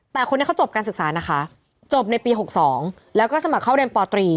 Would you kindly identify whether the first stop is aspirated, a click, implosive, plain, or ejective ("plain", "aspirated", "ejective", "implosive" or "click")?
plain